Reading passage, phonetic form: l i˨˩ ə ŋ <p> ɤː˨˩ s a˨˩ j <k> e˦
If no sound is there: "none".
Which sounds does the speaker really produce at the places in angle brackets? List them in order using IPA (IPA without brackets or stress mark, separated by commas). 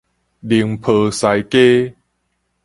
pʰ, k